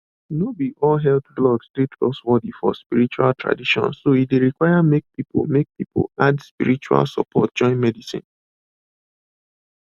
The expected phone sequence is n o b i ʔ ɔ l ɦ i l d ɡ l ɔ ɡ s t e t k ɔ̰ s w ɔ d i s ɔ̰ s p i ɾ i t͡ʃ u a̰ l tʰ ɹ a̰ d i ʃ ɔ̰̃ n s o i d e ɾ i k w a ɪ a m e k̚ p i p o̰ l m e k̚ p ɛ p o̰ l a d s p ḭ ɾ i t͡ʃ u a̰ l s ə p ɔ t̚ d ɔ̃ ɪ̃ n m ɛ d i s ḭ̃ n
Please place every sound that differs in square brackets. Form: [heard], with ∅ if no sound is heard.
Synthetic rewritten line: n o b i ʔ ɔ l ɦ [ɛ] l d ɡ l ɔ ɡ s t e t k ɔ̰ s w ɔ d i [f] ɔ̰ s p i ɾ i t͡ʃ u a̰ l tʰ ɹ a̰ d i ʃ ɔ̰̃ n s o i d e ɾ i k w a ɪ a m e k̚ p i p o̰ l m e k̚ p [i] p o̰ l a d s p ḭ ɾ i t͡ʃ u a̰ l s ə p ɔ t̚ [d͡ʒ] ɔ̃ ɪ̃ n m ɛ d i s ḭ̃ n

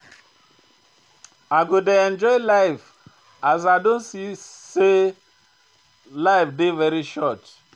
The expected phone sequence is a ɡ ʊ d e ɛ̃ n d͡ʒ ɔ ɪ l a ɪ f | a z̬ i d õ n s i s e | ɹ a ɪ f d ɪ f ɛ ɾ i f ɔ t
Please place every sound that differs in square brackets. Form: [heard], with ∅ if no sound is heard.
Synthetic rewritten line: a ɡ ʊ d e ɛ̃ n d͡ʒ ɔ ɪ l a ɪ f | a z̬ [a] d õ n s i s e | [l] a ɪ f d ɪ [v] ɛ ɾ i [ʃ] ɔ t

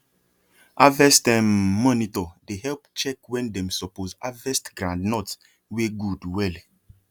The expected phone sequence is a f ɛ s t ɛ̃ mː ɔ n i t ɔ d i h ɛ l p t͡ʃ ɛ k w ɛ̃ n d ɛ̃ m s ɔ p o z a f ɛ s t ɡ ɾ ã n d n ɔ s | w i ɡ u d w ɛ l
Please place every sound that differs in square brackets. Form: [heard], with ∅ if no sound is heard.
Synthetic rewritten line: a [v] ɛ s t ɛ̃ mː ɔ n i t ɔ d [e] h ɛ l p t͡ʃ ɛ k w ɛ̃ n d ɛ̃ m s ɔ p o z a [v] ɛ s t ɡ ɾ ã n d n ɔ [t] | w [e] ɡ u d w ɛ l

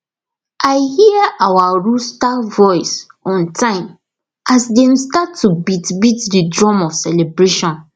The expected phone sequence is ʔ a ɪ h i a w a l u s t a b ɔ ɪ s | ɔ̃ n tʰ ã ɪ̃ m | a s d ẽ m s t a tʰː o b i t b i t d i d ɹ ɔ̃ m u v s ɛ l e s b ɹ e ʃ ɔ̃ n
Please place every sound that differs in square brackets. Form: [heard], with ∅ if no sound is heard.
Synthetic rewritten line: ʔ a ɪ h i a w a [ɹ] u s t a [v] ɔ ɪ s | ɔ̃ n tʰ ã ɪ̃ m | a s d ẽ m s t a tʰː [u] b i t b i t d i d ɹ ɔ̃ m [ɔ] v s ɛ l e [∅] b ɹ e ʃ ɔ̃ n

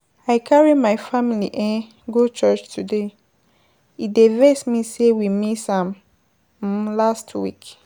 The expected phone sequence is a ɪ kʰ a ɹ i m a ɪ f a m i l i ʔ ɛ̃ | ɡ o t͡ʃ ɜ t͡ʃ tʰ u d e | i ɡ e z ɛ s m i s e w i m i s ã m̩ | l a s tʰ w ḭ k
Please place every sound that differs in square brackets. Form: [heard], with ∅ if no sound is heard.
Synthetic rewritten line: a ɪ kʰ a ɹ i m a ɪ f a m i l i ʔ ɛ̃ | ɡ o t͡ʃ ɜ t͡ʃ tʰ u d e | i [d] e [v] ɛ s m i s e w i m i s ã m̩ | l a s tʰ w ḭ k

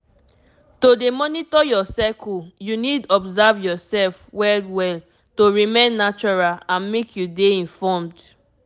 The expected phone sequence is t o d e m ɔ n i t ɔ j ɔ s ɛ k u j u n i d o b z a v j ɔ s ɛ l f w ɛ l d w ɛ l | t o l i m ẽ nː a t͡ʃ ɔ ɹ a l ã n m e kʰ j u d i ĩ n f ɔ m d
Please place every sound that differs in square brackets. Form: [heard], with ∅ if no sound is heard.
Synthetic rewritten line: t o d e m ɔ n i t ɔ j ɔ s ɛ k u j u n i d [ɔ] b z a v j ɔ s ɛ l f w ɛ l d w ɛ l | t o [ɹ] i m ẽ nː a t͡ʃ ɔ ɹ a l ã n m e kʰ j u d [e] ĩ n f ɔ m d

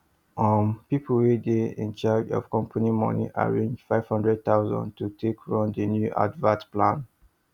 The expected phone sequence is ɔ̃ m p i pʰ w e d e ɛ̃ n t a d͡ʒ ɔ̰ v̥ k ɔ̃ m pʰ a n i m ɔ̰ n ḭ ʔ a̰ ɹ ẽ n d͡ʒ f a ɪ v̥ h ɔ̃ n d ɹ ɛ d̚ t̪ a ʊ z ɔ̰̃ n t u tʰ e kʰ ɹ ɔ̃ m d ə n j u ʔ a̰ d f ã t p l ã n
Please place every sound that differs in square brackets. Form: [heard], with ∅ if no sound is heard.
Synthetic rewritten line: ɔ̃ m p i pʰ w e d e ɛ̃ n [t͡ʃ] a d͡ʒ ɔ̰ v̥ k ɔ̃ m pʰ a n i m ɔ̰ n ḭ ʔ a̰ ɹ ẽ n d͡ʒ f a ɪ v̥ h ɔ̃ n d ɹ ɛ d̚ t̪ a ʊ z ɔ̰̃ n t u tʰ e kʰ ɹ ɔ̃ [n] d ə n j u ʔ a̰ d [v] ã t p l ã n

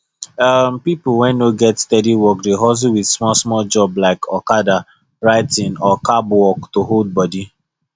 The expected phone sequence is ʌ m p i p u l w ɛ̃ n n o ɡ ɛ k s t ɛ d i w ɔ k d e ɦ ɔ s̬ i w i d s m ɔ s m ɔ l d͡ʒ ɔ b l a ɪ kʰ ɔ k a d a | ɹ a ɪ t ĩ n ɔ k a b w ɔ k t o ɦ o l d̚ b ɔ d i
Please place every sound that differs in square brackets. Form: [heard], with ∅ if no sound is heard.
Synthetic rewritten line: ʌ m p i p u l w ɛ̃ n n o ɡ ɛ [t] s t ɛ d i w ɔ k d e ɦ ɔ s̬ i w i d s m ɔ s m ɔ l d͡ʒ ɔ b l a ɪ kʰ ɔ k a d a | ɹ a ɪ t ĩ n ɔ k a b w ɔ k t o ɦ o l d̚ b ɔ d i

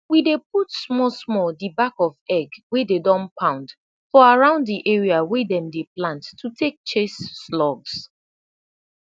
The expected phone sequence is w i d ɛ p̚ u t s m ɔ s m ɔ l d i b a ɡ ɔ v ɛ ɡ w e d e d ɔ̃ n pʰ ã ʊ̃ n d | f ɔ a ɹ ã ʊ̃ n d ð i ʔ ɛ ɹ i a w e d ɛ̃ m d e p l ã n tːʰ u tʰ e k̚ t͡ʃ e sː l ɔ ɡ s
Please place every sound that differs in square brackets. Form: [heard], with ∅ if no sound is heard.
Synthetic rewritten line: w i d [e] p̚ u t s m ɔ s m ɔ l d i b a [k] ɔ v ɛ ɡ w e d e d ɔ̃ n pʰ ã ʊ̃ n d | f ɔ a ɹ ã ʊ̃ n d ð i ʔ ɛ ɹ i a w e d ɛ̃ m d e p l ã n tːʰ u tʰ e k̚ t͡ʃ e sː l ɔ ɡ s

